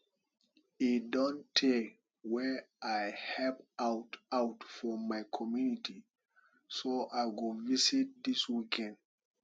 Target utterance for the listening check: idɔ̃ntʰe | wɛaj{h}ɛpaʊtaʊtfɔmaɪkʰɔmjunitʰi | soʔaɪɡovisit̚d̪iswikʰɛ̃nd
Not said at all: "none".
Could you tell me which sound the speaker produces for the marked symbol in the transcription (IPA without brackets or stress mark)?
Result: h